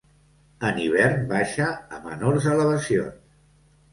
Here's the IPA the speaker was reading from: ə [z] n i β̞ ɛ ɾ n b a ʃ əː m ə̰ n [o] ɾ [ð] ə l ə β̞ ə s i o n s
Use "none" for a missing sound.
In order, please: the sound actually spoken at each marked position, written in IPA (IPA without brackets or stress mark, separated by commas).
none, o, z